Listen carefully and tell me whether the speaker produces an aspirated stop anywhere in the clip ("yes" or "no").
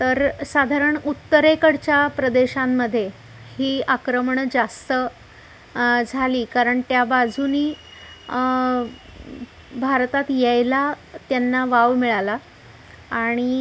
no